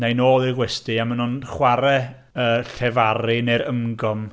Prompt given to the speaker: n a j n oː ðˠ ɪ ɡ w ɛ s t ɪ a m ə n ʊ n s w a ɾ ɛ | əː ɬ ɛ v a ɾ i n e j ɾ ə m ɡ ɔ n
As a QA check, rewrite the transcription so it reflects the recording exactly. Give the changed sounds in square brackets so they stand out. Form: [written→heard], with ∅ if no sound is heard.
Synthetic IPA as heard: n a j n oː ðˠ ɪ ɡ w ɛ s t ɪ a m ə n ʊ n [s→χ] w a ɾ ɛ | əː ɬ ɛ v a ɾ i n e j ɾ ə m ɡ ɔ [n→m]